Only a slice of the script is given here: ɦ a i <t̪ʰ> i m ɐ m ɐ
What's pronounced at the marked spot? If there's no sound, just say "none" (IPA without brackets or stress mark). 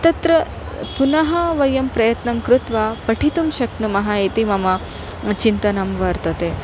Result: t̪